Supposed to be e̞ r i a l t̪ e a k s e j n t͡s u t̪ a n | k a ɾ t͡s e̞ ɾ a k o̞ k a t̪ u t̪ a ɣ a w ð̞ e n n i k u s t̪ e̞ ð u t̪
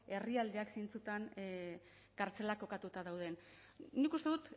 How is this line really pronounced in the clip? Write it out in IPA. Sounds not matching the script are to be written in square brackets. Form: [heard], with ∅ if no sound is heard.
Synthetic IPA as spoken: e̞ r i a l [d̪] e a k s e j n t͡s u t̪ a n | k a ɾ t͡s e̞ [l] a k o̞ k a t̪ u t̪ a [ð] a w ð̞ e n n i k u s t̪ e̞ ð u t̪